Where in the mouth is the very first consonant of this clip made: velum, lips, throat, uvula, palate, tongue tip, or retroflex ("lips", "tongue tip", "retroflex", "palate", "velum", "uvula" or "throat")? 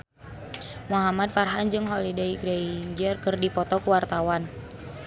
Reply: lips